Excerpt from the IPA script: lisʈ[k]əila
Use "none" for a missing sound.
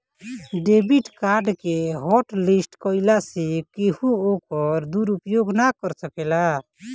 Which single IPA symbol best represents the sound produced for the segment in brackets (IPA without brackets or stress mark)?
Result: k